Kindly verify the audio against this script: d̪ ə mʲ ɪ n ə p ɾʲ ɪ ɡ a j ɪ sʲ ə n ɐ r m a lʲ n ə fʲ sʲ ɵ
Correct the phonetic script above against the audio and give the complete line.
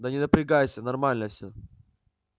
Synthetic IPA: d̪ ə nʲ ɪ n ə p ɾʲ ɪ ɡ a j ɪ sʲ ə n ɐ r m a lʲ n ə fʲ sʲ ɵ